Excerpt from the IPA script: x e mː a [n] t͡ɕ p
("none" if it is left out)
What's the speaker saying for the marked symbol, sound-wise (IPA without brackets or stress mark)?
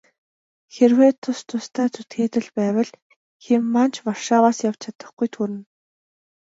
n